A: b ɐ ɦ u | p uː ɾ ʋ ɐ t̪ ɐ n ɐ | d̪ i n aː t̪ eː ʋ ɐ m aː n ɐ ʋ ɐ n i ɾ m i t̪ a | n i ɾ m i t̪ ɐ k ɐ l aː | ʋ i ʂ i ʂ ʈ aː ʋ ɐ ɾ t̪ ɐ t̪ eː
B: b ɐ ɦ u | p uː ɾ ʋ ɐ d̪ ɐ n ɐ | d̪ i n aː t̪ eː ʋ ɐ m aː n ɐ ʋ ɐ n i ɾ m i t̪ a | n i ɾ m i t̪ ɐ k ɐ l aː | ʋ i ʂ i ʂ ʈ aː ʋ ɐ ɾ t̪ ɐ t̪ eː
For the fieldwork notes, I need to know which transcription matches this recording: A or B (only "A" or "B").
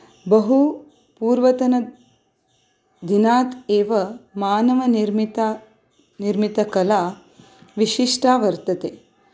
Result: A